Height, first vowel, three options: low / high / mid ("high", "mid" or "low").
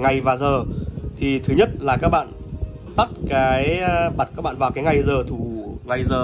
low